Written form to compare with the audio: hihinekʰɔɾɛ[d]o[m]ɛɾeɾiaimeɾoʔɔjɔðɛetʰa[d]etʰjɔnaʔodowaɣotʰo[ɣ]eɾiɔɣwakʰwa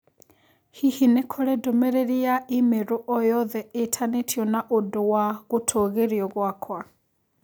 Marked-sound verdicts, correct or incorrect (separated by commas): correct, correct, incorrect, correct